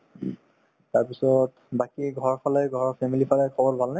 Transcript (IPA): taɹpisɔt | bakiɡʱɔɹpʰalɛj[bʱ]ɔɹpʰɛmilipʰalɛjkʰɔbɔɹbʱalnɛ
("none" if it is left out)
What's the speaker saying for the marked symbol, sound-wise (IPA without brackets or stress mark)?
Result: ɡʱ